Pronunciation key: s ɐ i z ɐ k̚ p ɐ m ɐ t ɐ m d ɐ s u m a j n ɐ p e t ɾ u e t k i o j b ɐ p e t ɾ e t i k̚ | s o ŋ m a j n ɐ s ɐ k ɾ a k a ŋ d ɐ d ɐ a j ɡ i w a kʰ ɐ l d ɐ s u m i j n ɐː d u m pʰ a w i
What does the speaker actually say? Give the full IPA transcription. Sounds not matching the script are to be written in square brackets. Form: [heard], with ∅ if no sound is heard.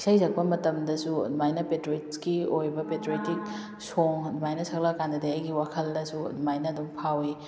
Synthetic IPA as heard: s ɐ [j] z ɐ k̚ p ɐ m ɐ t ɐ m d ɐ s u m a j n ɐ p e t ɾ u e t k i o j b ɐ p e t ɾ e t i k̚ | s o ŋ m a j n ɐ s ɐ k [l] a k a [n] d ɐ d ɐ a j ɡ i w a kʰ ɐ l d ɐ s u m [a] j n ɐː d u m pʰ a w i